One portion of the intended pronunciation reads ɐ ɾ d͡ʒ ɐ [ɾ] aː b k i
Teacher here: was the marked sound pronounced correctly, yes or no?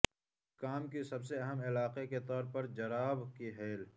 yes